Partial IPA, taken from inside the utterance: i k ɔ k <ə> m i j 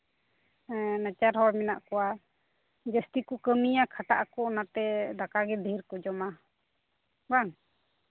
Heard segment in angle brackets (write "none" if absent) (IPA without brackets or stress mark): ə